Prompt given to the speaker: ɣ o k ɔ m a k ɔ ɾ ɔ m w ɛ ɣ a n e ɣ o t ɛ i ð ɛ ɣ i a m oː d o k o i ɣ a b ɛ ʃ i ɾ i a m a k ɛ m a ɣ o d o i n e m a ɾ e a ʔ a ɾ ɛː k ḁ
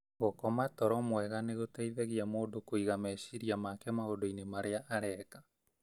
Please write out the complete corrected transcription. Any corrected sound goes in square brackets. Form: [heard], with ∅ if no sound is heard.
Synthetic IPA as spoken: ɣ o k ɔ m a [t] ɔ ɾ ɔ m w ɛ ɣ a n e ɣ o t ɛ i ð ɛ ɣ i a m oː d o k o i ɣ a [m] ɛ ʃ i ɾ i a m a k ɛ m a ɣ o d o i n e m a ɾ e a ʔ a ɾ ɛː k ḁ